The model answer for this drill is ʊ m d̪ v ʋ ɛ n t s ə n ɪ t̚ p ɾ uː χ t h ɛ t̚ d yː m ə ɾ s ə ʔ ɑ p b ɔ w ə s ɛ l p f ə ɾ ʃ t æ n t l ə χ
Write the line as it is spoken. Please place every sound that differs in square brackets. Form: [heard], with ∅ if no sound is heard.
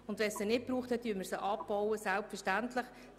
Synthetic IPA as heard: ʊ [n] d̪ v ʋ ɛ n [s] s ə n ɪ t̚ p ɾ uː χ t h ɛ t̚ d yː m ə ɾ s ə ʔ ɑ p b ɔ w ə s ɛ l p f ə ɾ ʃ t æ n t l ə χ